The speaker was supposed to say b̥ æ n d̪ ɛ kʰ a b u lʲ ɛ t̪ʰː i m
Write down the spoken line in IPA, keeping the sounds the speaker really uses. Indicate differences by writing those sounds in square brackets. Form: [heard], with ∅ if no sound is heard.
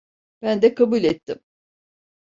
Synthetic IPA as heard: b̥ æ n d̪ ɛ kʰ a b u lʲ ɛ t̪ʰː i m